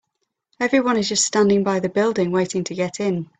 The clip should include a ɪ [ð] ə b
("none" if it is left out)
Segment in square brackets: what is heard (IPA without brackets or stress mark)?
ð